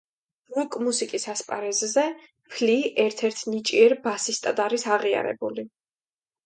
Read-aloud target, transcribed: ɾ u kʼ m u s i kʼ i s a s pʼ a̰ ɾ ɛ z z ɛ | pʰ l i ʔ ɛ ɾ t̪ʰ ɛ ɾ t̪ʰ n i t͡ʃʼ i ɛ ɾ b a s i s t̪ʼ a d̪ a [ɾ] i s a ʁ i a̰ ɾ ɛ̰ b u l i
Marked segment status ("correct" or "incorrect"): correct